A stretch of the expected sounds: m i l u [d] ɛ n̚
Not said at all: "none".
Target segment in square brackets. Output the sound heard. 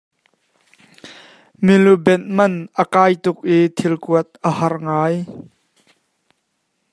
b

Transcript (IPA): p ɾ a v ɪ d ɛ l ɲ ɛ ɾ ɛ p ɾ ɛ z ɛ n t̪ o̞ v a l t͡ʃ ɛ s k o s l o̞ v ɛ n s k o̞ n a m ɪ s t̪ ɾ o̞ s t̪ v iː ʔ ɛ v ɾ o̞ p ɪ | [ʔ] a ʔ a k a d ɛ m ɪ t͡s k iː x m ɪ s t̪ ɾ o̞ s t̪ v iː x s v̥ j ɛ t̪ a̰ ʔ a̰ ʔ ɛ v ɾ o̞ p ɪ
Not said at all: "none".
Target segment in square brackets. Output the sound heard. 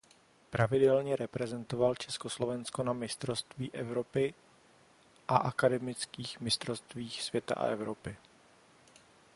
ʔ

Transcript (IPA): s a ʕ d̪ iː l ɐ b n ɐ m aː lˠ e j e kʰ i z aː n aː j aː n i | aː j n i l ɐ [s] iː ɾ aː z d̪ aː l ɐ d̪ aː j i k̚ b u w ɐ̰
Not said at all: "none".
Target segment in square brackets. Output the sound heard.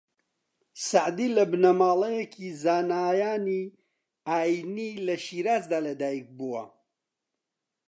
ʃ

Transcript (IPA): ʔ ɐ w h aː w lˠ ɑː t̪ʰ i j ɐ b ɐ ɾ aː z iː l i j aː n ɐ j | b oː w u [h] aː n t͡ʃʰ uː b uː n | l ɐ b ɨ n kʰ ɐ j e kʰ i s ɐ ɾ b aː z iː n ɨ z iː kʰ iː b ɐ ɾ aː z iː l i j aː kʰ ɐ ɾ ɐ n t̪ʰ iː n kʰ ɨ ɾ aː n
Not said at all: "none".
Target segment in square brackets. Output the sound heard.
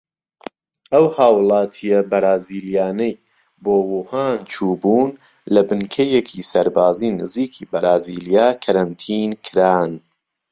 h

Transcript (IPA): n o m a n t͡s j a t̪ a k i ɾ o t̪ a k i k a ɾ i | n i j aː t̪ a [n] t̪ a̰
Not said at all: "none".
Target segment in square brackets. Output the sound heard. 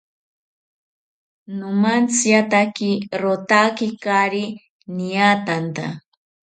n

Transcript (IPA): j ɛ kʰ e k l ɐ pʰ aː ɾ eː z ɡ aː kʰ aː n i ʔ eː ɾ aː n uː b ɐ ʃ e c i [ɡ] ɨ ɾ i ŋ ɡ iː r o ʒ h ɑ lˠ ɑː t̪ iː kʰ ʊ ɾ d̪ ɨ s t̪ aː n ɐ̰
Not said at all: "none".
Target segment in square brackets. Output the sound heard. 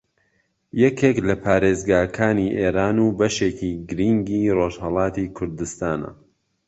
ɡ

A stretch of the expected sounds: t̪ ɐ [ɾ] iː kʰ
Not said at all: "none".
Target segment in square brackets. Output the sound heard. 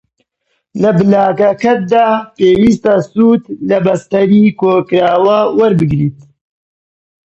ɾ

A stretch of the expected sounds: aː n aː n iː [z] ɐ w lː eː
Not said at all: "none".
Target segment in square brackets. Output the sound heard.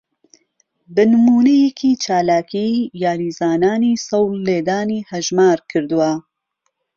s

